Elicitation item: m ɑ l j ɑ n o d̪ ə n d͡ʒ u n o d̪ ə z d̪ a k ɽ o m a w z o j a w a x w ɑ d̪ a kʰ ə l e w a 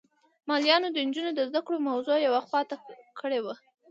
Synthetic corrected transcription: m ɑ l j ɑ n o d̪ ə n d͡ʒ u n o d̪ ə z d̪ a k ɽ o m a w z o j a w a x w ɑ t̪ a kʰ ə ɽ e w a